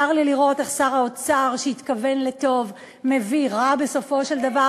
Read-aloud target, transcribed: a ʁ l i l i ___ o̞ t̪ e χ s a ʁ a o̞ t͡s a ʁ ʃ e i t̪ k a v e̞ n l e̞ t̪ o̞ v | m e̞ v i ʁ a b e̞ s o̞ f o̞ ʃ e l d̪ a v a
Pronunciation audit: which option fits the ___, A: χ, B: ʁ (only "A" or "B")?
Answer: B